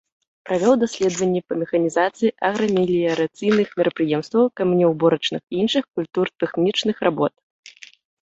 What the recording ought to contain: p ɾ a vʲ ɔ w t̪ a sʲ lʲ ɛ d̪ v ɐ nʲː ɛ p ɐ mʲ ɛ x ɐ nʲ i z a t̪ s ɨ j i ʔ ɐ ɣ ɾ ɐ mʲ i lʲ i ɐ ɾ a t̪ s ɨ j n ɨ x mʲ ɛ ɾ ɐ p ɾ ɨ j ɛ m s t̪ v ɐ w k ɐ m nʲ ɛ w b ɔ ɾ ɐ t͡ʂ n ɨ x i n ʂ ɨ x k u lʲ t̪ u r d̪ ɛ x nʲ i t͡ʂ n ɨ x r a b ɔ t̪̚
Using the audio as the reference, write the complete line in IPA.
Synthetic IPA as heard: p ɾ a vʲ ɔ w d̪ a sʲ lʲ ɛ d̪ v ɐ nʲː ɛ p ɐ mʲ ɛ x ɐ nʲ i z a t̪ s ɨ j i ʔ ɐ ɣ ɾ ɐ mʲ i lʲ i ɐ ɾ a t̪ s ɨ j n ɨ x mʲ ɛ ɾ ɐ p ɾ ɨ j ɛ m s t̪ v ɐ w k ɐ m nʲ ɛ w b ɔ ɾ ɐ t͡ʂ n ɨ x i n ʂ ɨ x k u lʲ t̪ u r t̪ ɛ x nʲ i t͡ʂ n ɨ x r a b ɔ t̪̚